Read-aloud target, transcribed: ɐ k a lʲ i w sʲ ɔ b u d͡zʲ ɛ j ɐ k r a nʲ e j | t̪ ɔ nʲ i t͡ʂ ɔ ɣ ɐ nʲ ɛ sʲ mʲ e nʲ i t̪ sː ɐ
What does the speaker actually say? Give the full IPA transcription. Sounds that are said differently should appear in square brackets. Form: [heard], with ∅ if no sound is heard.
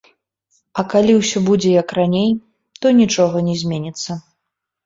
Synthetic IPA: ɐ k a lʲ i w sʲ ɔ b u d͡zʲ ɛ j ɐ k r a nʲ e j | t̪ ɔ nʲ i t͡ʂ ɔ ɣ ɐ nʲ ɛ [zʲ] mʲ e nʲ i t̪ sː ɐ